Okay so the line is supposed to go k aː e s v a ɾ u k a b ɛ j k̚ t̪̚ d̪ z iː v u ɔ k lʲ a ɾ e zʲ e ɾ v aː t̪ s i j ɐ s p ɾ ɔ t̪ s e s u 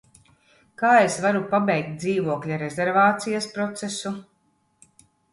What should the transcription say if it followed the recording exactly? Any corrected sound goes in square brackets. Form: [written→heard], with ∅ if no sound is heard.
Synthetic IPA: k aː e s v a ɾ u [k→p] a b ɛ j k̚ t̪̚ d̪ z iː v u ɔ k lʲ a ɾ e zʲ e ɾ v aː t̪ s i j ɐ s p ɾ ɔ t̪ s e s u

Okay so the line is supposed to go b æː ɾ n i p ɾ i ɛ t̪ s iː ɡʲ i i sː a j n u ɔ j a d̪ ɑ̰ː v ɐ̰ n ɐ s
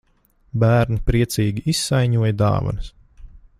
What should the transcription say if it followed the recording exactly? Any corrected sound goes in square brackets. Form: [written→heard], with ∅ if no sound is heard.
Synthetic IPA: b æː ɾ n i p ɾ i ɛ t̪ s iː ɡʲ i i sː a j [n→ɲ] u ɔ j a d̪ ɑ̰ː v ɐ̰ n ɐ s

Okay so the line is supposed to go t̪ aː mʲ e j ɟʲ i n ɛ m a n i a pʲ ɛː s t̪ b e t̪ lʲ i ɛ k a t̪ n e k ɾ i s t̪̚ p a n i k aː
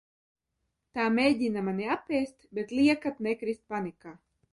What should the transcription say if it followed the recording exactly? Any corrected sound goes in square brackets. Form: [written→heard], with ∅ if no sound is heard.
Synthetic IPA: t̪ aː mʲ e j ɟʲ i n [ɛ→a] m a n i a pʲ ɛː s t̪ b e t̪ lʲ i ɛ k a t̪ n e k ɾ i s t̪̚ p a n i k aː

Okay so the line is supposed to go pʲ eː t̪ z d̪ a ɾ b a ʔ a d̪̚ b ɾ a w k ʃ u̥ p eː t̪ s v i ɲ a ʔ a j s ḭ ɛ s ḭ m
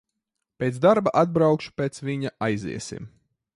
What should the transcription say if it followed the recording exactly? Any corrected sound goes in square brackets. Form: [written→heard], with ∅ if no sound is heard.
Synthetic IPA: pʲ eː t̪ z d̪ a ɾ b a ʔ a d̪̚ b ɾ a w k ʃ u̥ p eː t̪ s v i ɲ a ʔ a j [s→z] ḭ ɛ s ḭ m

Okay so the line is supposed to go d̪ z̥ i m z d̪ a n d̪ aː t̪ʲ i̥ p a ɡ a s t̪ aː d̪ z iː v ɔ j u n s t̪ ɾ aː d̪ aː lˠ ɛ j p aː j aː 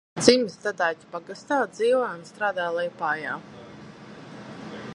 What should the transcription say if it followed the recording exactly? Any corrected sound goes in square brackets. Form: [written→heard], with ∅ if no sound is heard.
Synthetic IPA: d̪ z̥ i m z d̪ a [n→∅] d̪ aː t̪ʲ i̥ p a ɡ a s t̪ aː d̪ z iː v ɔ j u n s t̪ ɾ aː d̪ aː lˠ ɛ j p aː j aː

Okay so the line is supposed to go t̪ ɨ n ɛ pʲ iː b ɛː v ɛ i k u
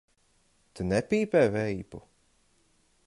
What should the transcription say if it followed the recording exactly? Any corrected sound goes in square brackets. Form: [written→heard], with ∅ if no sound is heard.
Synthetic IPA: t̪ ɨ n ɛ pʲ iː [b→p] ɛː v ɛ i [k→p] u

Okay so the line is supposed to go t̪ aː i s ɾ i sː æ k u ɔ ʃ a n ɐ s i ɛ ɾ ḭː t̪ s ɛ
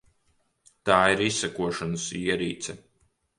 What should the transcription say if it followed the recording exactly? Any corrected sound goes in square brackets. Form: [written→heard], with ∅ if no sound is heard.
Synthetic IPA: t̪ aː i [s→∅] ɾ i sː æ k u ɔ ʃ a n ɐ s i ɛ ɾ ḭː t̪ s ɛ

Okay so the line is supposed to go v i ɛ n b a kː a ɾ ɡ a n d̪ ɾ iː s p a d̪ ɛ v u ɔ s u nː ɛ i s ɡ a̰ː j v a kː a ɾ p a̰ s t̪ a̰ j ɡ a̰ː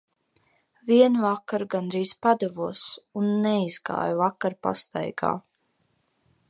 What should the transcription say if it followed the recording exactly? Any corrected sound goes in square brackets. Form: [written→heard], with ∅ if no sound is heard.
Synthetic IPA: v i ɛ n [b→v] a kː a ɾ ɡ a n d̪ ɾ iː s p a d̪ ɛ v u ɔ s u nː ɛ i [s→z] ɡ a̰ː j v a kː a ɾ p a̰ s t̪ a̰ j ɡ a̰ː

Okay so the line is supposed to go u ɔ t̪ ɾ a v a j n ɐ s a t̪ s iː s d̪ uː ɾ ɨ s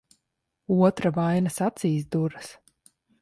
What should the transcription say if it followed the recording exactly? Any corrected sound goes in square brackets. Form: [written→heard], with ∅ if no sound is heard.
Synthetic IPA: u ɔ t̪ ɾ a v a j n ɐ s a t̪ s iː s d̪ [uː→u] ɾ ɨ s

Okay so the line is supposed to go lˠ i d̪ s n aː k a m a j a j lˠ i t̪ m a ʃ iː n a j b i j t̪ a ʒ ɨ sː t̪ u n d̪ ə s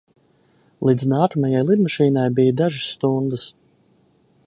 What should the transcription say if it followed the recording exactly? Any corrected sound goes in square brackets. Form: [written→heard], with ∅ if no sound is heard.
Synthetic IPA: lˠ i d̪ [s→z] n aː k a m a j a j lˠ i [t̪→d̪] m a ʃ iː n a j b i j [t̪→d̪] a ʒ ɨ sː t̪ u n d̪ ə s

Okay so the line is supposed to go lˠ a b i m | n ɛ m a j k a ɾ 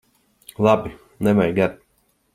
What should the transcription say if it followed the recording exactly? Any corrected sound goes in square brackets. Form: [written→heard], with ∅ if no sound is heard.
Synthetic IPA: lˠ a b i [m→∅] | n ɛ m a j [k→ɡ] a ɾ

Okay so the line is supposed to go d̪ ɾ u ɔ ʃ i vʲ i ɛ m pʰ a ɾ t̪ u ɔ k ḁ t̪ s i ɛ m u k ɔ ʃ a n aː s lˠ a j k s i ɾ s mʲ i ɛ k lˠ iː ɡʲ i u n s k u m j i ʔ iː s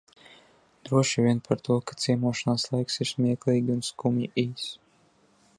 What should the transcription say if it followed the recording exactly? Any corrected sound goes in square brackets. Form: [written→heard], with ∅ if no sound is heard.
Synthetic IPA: d̪ ɾ u ɔ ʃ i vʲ i ɛ [m→n] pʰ a ɾ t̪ u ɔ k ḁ t̪ s i ɛ m u [k→∅] ɔ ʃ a n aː s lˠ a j k s i ɾ s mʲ i ɛ k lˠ iː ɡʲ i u n s k u m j i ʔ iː s

